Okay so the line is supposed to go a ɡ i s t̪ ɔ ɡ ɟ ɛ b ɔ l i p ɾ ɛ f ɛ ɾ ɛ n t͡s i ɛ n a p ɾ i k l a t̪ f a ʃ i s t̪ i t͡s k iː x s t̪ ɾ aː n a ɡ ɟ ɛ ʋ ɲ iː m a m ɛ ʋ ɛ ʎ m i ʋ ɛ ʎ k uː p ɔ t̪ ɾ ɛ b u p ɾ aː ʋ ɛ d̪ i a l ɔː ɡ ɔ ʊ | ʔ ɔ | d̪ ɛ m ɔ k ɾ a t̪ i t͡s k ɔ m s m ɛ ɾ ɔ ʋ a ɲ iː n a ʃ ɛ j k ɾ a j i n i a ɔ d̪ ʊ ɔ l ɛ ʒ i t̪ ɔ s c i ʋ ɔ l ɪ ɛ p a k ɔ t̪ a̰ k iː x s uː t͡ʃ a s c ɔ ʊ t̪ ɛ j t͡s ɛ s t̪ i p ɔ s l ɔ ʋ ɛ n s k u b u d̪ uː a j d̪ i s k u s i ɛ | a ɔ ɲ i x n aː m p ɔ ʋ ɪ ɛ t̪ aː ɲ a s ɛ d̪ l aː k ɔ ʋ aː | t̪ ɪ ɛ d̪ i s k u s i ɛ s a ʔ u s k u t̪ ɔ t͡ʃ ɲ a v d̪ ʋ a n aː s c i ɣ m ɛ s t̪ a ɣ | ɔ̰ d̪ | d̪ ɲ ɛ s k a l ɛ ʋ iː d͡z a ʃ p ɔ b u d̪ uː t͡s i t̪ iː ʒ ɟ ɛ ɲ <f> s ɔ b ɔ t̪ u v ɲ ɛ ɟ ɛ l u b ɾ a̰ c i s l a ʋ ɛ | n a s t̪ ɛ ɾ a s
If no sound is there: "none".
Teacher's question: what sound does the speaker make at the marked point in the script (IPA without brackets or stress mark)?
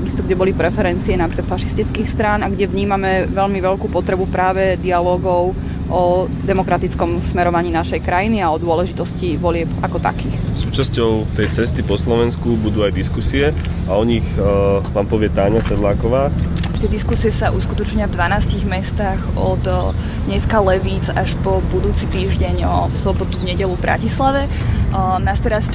f